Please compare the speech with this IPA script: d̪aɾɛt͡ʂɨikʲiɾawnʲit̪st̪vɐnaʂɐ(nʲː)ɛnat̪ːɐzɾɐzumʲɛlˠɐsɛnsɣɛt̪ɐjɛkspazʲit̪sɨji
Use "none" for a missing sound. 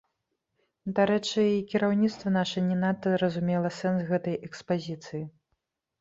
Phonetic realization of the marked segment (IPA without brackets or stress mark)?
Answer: nʲ